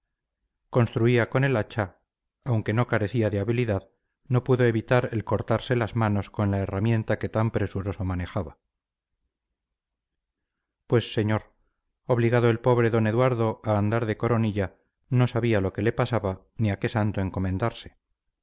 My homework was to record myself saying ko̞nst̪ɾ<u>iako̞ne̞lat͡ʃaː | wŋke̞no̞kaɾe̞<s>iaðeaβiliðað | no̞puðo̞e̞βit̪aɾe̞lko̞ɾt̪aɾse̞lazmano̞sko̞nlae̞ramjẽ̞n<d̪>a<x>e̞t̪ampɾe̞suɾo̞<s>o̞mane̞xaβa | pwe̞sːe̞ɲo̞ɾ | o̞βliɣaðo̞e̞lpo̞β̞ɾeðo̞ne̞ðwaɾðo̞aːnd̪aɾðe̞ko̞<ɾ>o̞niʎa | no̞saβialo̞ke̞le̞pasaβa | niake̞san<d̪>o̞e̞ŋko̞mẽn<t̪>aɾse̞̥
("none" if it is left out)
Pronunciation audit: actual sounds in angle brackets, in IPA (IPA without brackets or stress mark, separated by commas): u, θ, t̪, k, s, ɾ, t̪, d̪